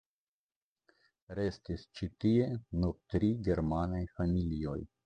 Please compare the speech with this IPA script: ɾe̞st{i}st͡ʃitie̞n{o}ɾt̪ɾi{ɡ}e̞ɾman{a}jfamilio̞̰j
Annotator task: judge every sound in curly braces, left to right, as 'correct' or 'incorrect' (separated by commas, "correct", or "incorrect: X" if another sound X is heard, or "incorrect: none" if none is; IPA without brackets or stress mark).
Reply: correct, incorrect: u, correct, correct